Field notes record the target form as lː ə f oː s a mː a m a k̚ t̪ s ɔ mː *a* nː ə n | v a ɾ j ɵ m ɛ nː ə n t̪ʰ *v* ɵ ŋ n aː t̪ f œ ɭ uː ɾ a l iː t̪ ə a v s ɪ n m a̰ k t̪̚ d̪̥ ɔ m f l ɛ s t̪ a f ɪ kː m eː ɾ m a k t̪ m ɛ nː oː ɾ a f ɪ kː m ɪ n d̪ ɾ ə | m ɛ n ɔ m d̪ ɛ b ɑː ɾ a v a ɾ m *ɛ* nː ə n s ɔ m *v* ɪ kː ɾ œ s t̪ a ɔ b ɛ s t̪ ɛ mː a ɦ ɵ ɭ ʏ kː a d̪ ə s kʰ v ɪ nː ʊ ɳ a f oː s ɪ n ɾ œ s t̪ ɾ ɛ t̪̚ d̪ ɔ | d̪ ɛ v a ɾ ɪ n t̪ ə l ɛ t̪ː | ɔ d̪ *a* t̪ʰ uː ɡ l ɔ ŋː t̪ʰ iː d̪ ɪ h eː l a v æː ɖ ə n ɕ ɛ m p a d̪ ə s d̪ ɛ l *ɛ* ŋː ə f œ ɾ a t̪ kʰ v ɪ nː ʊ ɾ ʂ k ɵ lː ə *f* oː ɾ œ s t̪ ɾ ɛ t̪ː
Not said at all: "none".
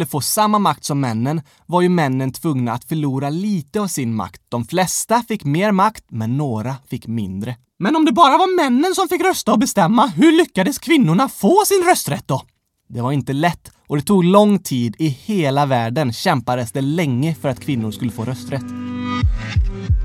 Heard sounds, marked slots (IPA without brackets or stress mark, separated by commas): ɛ, v, ɛ, f, ɛ, ɛ, f